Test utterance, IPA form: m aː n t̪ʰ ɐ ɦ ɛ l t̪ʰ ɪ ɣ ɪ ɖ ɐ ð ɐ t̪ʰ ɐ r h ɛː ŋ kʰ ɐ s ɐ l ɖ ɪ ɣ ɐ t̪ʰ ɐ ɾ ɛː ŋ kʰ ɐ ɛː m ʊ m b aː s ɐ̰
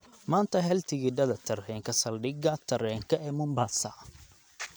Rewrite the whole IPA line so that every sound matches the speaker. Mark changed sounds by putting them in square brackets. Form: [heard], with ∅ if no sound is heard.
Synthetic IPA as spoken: m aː n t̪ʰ ɐ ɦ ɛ l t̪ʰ ɪ ɣ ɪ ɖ ɐ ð ɐ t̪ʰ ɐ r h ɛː ŋ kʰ ɐ s ɐ l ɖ ɪ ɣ ɐ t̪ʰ ɐ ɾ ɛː ŋ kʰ ɐ ɛː m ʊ m b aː s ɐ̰